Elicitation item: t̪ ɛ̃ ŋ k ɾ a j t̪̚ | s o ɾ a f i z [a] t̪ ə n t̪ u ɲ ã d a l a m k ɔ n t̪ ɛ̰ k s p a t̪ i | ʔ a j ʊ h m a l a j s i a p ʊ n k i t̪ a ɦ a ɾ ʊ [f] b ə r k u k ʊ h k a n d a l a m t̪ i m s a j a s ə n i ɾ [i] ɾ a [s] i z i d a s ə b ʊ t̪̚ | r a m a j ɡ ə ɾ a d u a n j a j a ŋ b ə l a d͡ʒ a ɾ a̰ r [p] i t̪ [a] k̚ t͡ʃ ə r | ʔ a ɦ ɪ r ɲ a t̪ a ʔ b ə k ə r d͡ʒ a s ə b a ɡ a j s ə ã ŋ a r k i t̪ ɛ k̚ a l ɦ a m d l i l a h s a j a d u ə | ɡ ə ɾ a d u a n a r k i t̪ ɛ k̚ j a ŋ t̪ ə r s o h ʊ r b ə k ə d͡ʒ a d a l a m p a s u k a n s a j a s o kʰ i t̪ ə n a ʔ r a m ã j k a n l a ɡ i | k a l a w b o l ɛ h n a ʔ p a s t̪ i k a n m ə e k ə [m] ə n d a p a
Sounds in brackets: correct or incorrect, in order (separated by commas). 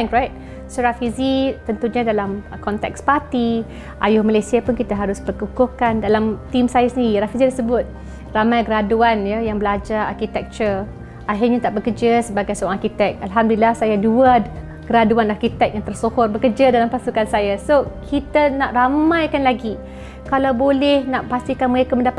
incorrect, incorrect, correct, incorrect, incorrect, incorrect, correct